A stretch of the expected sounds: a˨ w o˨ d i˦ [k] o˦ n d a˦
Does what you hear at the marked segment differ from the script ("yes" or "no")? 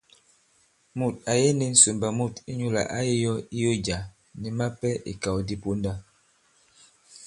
yes